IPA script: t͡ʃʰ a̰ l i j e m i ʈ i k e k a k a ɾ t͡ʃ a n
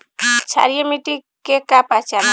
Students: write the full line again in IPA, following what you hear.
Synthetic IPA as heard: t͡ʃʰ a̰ ɾ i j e m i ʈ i k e k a p a t͡ʃ a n